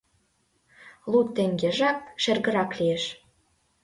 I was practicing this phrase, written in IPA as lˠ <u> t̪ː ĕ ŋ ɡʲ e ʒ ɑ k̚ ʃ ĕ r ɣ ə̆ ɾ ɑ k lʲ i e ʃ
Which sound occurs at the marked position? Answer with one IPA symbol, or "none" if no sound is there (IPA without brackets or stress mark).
u